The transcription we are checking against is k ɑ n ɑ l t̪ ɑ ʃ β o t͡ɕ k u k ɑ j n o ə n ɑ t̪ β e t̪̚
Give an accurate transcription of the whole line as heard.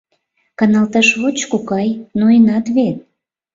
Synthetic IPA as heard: k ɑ n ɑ l t̪ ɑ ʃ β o t͡ɕ k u k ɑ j n o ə n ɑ t̪ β e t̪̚